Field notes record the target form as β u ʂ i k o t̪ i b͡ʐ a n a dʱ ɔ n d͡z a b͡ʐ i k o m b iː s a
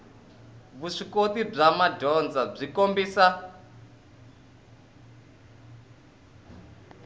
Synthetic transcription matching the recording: β u ʂ i k o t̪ i b͡ʐ a m a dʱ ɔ n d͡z a b͡ʐ i k o m b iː s a